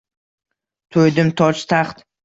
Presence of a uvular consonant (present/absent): present